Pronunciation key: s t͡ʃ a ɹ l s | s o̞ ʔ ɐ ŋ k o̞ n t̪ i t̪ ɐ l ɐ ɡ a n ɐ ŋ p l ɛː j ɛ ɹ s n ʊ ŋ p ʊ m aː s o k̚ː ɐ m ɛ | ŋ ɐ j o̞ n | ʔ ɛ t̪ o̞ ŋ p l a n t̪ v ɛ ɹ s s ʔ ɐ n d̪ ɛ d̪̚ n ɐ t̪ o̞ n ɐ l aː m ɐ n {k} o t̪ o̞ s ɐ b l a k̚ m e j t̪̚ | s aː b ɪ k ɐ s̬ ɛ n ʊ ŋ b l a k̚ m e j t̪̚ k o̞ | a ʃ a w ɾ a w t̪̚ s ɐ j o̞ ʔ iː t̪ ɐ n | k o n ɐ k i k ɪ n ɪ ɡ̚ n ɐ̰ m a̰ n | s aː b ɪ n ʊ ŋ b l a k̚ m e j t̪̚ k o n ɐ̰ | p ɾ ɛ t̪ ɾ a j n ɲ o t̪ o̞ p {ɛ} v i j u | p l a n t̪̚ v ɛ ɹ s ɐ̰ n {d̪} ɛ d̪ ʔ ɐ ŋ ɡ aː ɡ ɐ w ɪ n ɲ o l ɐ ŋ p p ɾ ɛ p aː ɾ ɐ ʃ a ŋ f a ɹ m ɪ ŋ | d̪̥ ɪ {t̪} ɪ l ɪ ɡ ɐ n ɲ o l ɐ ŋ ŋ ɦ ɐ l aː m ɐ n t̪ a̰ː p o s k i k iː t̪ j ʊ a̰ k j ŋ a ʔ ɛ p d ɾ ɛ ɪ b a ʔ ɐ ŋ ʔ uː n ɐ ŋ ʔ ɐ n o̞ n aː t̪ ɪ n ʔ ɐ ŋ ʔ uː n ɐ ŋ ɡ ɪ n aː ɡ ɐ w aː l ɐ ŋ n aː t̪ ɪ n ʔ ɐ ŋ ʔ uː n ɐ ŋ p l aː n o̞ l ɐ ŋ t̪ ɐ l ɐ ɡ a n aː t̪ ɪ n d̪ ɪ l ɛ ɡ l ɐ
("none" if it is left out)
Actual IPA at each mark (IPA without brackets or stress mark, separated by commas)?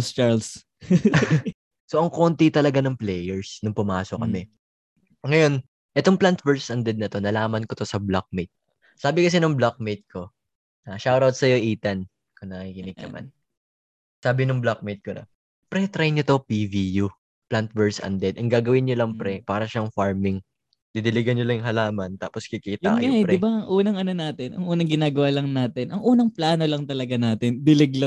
k, i, d̪, d̪